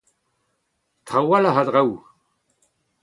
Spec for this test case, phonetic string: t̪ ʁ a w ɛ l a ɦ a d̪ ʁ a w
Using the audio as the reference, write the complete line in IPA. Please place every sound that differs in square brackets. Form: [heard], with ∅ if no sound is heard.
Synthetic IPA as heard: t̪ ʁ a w [a] l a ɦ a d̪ ʁ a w